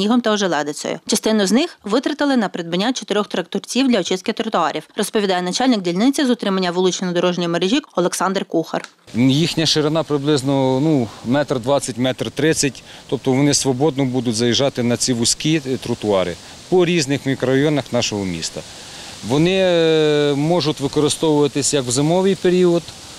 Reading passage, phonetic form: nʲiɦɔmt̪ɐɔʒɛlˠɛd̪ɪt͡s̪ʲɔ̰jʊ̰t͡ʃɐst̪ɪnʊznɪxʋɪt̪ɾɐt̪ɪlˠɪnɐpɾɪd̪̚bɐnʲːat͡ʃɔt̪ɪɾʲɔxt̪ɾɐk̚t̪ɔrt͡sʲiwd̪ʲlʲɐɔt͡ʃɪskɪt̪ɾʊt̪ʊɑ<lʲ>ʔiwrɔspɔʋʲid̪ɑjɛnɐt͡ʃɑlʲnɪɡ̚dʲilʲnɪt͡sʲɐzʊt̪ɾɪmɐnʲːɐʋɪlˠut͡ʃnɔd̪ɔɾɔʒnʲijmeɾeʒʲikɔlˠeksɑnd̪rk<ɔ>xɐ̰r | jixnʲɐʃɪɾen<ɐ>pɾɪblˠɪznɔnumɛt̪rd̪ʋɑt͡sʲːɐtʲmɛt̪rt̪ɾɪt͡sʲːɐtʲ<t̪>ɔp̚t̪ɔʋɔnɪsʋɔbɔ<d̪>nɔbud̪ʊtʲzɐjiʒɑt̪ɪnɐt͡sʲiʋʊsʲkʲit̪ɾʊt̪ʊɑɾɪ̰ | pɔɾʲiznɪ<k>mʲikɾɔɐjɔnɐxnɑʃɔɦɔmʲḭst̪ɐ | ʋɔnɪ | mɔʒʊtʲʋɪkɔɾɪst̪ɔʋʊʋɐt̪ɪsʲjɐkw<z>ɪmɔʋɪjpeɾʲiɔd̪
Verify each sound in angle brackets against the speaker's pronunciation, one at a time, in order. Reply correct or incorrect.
incorrect, incorrect, incorrect, correct, correct, incorrect, correct

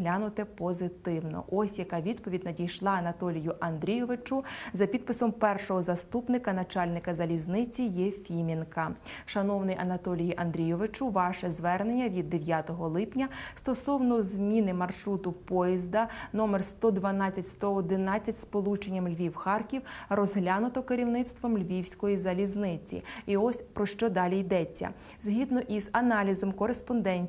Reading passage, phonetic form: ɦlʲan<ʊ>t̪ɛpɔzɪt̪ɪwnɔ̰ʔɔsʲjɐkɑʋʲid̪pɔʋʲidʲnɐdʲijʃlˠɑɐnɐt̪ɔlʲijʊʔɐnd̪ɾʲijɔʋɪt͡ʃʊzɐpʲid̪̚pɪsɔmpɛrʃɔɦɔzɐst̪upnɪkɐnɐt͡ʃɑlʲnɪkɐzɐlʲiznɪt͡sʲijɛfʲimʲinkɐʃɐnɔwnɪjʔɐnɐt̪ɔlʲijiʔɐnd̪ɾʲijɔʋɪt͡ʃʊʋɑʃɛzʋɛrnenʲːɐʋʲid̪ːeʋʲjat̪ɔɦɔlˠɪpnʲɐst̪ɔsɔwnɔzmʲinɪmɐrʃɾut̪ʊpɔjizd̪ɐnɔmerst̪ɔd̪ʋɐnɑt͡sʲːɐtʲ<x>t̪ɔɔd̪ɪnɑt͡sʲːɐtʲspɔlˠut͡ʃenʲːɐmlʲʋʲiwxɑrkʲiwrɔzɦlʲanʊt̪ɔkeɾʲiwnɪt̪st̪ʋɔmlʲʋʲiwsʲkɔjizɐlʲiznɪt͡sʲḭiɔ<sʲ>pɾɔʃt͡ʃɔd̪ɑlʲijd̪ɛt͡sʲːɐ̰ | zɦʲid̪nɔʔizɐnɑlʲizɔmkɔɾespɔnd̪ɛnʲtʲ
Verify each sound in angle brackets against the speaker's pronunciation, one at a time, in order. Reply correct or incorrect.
correct, incorrect, correct

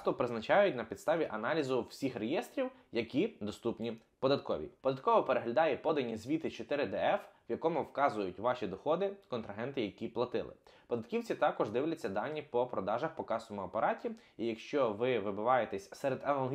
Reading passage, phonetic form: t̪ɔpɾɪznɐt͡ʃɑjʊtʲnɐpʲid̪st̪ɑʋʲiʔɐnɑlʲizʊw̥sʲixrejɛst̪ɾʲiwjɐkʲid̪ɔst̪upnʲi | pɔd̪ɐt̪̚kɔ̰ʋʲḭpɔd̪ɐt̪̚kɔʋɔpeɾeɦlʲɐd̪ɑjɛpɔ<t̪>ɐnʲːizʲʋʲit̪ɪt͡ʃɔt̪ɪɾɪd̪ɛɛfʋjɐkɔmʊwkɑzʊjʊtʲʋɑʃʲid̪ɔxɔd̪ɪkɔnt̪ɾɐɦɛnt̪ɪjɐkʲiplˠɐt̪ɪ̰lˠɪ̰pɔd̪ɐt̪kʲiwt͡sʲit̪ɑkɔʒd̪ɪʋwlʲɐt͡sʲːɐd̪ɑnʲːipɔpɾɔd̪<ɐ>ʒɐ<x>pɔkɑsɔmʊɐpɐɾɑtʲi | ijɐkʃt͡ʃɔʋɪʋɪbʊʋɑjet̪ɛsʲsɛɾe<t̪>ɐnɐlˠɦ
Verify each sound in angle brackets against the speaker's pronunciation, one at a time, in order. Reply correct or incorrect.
incorrect, incorrect, correct, incorrect

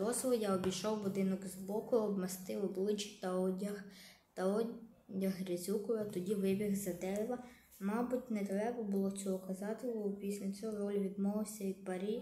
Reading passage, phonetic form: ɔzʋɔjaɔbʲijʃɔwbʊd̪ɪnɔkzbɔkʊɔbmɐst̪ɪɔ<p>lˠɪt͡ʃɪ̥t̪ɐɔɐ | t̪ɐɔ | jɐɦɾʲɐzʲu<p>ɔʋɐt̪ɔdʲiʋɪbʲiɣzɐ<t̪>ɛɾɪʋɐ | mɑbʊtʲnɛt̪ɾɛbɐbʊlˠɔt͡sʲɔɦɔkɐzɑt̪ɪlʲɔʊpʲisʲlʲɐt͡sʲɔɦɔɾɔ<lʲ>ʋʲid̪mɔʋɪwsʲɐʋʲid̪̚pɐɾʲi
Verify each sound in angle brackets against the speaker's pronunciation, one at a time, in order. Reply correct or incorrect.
incorrect, incorrect, incorrect, correct

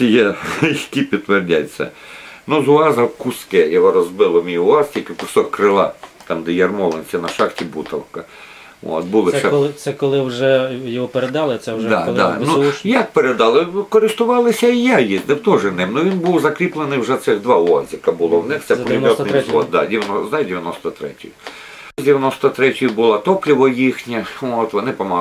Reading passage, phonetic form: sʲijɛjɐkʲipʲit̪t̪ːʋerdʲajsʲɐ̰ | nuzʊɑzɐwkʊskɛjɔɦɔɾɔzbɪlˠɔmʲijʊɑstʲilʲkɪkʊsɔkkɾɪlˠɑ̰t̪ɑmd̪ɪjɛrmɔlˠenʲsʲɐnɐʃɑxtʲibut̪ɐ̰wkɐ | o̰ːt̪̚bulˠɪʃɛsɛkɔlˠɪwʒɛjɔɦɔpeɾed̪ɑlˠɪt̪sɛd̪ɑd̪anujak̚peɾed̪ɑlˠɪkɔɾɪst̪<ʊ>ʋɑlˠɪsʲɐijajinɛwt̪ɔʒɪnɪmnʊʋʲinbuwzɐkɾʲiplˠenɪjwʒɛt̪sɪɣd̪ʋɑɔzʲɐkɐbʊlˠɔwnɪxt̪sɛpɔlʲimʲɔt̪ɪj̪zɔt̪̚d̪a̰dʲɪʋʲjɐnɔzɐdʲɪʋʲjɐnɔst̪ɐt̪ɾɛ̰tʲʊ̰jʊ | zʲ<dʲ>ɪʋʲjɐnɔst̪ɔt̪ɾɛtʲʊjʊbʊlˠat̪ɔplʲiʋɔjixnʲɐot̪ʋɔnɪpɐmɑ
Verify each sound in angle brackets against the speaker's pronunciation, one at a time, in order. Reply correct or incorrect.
correct, correct

